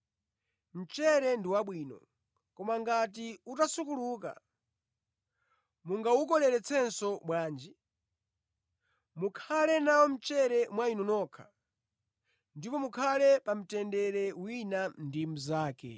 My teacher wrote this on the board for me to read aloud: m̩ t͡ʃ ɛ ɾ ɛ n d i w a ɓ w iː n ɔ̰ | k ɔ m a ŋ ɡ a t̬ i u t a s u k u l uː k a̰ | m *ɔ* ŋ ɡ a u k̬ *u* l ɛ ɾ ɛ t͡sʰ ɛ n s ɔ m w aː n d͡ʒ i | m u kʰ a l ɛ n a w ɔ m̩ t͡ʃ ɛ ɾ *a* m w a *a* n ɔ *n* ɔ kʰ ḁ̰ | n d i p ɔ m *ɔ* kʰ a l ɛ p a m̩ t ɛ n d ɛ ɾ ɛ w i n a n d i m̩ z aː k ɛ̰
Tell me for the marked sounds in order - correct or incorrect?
incorrect: u, incorrect: ɔ, incorrect: ɛ, incorrect: i, correct, incorrect: u

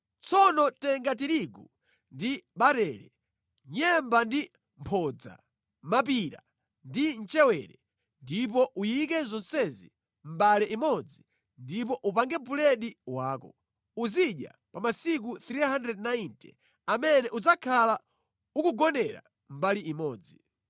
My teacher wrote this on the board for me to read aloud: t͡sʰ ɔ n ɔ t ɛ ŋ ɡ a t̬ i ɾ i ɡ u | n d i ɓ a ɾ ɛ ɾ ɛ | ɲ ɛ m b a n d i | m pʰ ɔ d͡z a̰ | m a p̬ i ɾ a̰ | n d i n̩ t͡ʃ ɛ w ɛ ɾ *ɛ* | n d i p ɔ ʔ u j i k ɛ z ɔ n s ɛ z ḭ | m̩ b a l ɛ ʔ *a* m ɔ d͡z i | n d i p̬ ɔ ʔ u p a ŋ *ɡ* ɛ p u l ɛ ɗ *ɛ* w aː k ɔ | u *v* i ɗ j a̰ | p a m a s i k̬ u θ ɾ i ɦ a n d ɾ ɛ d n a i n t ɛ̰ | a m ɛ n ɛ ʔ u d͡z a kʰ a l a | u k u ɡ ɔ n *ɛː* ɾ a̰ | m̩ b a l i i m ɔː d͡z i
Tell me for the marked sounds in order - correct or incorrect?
correct, incorrect: i, correct, incorrect: i, incorrect: z, incorrect: ɛ

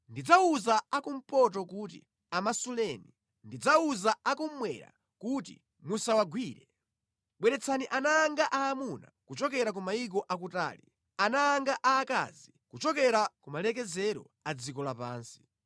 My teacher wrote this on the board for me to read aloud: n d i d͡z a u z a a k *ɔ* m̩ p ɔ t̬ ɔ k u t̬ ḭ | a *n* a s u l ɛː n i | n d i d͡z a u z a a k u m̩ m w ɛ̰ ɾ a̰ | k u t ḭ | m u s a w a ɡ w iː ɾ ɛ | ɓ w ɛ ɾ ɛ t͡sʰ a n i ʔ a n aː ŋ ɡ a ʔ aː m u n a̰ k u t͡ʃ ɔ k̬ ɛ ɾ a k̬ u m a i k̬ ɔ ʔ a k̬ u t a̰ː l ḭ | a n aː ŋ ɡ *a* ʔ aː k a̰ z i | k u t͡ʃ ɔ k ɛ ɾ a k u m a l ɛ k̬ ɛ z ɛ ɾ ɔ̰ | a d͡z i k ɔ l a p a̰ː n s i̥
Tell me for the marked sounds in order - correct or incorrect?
incorrect: u, incorrect: m, correct

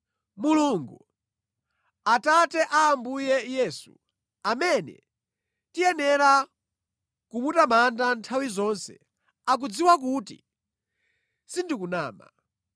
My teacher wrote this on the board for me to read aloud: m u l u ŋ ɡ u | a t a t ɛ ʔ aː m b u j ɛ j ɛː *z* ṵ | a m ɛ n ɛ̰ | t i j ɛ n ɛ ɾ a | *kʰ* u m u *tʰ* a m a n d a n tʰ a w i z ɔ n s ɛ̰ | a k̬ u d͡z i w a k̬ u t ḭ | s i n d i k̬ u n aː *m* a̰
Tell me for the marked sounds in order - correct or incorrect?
incorrect: s, incorrect: k, incorrect: t, correct

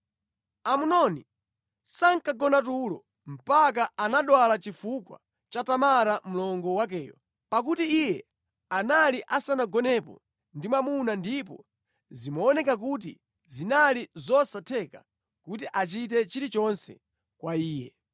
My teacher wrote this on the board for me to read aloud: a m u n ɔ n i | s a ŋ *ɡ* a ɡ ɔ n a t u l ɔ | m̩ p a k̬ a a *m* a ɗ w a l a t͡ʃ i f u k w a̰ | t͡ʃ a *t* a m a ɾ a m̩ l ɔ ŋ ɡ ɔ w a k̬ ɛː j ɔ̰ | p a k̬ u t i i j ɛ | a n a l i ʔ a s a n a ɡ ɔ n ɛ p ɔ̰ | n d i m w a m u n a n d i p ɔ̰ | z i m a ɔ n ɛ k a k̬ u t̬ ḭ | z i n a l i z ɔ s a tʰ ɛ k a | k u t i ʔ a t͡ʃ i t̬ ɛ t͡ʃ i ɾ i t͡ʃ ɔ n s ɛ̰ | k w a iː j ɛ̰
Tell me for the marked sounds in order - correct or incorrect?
incorrect: k, incorrect: n, correct

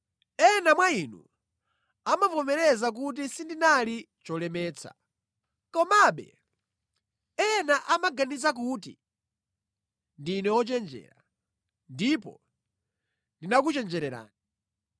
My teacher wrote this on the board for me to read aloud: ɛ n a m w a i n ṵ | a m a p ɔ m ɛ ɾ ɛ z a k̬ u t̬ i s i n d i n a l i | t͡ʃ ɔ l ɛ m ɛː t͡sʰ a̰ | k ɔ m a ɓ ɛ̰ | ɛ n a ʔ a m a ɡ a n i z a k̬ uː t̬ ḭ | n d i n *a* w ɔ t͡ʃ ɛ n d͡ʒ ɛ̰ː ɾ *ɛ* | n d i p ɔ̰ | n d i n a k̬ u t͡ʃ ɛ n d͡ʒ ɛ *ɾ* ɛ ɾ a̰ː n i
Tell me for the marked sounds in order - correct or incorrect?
incorrect: ɛ, incorrect: a, correct

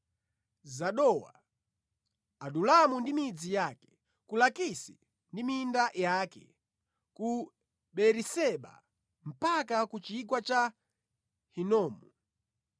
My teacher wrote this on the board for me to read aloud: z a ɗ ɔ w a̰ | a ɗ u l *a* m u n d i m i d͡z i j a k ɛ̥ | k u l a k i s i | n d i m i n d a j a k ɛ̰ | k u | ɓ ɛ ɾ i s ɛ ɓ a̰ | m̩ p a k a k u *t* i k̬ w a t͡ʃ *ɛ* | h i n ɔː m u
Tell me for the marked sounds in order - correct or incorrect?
correct, incorrect: t͡ʃ, incorrect: a

